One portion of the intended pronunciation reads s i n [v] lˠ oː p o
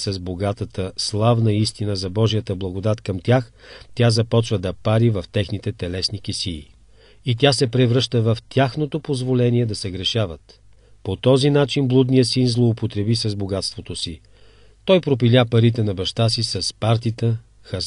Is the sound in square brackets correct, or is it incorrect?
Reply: incorrect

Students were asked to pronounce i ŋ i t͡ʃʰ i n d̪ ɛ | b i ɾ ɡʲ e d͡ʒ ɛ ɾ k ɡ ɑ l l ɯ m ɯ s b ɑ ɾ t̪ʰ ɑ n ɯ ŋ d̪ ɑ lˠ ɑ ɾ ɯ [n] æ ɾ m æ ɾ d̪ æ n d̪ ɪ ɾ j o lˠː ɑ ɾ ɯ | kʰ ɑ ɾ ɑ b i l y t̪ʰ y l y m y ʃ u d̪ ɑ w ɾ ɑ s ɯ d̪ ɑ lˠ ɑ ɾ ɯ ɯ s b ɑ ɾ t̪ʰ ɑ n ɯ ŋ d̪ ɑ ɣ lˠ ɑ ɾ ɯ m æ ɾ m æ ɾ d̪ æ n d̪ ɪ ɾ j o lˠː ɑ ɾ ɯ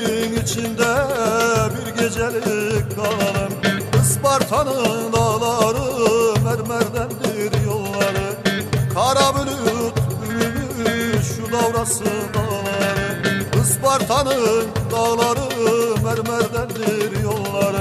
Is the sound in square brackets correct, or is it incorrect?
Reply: incorrect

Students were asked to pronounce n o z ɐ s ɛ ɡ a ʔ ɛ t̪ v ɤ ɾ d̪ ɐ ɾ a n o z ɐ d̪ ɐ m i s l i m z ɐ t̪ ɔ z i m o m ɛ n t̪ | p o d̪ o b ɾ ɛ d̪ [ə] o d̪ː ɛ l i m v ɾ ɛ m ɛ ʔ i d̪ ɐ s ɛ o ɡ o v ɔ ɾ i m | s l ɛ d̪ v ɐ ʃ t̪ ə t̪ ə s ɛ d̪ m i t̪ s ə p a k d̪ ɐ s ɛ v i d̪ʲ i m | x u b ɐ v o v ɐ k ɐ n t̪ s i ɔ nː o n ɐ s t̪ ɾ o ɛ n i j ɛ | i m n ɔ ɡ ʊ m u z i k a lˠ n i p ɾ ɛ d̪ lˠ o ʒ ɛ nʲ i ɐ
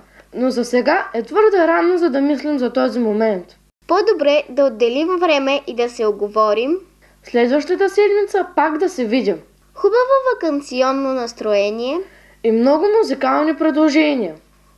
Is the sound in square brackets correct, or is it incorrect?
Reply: incorrect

